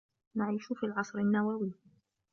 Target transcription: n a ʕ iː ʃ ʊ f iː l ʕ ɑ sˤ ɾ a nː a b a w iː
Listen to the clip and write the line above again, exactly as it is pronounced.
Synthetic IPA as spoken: n a ʕ iː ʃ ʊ f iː l ʕ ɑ sˤ ɾ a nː a w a w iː